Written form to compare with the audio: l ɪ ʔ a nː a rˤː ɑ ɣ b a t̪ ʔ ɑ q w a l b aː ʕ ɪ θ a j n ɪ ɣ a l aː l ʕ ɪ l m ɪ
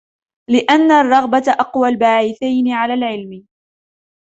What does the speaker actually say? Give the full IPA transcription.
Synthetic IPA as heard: l ɪ ʔ a nː a rˤː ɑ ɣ b a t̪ ʔ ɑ q w a l b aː ʕ ɪ θ a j n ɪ ʕ a l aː l ʕ ɪ l m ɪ